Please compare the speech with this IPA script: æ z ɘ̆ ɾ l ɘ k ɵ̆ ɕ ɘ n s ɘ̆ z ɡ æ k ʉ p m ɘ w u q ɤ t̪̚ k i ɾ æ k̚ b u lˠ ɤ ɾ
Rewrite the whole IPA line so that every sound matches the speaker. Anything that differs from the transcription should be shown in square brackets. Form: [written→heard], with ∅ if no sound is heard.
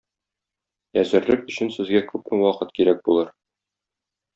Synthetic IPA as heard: æ z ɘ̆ ɾ l ɘ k ɵ̆ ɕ ɘ n s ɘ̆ z ɡ æ k ʉ p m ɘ w [u→ɒ] q ɤ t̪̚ k i ɾ æ k̚ b u lˠ ɤ ɾ